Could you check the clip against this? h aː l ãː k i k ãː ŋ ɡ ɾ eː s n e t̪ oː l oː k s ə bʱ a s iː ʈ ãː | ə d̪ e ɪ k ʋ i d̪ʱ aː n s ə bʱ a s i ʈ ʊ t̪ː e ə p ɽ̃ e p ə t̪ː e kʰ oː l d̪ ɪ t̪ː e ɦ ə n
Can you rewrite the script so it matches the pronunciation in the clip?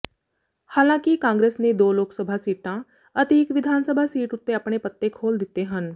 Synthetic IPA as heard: h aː l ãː k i k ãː ŋ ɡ ɾ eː s n e d̪ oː l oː k s ə bʱ a s iː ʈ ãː | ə t̪ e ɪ k ʋ ɪ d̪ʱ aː n s ə bʱ a s iː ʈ ʊ t̪ː e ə p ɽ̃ e p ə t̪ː e kʰ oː l d̪ ɪ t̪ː e ɦ ə n